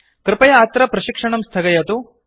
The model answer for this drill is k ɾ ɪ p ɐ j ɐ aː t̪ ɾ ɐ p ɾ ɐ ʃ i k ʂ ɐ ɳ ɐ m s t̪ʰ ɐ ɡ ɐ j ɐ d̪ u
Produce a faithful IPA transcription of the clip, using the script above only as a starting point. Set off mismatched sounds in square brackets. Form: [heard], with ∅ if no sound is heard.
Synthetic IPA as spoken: k ɾ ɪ p ɐ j ɐ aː t̪ ɾ ɐ p ɾ ɐ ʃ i k ʂ ɐ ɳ ɐ m s t̪ʰ ɐ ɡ ɐ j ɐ [t̪] u